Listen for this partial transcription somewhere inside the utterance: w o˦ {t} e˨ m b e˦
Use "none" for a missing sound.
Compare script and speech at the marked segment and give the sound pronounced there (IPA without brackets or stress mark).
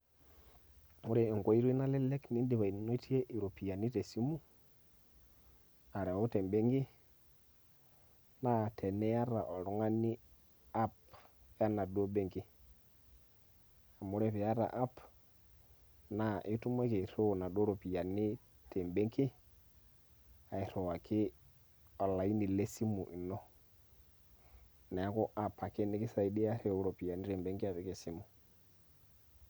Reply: t